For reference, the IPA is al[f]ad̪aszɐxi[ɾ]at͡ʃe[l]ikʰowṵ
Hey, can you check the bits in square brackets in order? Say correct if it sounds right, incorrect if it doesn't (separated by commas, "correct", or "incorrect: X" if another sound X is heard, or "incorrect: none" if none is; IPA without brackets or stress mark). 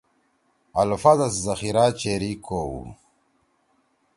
correct, correct, incorrect: ɾ